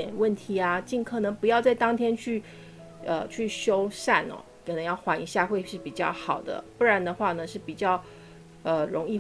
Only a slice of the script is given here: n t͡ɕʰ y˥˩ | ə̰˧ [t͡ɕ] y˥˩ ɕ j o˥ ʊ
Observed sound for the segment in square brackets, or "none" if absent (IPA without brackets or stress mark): t͡ɕʰ